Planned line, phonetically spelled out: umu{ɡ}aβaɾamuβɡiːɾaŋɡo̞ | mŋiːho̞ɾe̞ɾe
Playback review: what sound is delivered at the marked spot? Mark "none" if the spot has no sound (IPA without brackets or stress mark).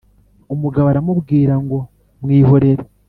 ɡ